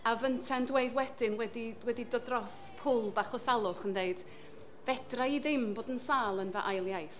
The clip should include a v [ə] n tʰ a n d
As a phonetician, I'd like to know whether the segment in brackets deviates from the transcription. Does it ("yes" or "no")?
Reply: no